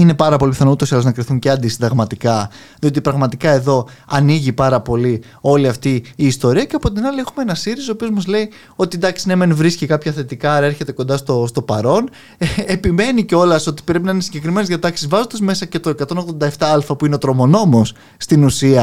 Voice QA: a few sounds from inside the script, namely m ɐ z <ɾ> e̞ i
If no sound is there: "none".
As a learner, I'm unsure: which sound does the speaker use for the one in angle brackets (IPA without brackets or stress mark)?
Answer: l